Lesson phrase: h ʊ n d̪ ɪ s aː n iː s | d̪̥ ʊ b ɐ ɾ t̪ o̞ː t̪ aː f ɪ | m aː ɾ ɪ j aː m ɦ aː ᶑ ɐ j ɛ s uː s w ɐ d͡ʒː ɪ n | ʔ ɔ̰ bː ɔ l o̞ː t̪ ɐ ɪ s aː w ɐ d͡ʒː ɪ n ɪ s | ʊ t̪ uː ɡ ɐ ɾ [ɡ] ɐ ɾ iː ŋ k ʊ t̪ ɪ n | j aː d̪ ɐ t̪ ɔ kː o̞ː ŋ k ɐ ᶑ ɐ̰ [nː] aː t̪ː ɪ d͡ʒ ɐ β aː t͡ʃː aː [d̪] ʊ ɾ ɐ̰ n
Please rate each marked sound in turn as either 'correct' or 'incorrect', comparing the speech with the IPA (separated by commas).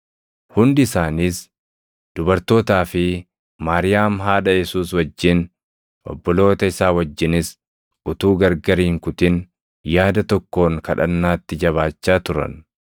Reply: correct, correct, incorrect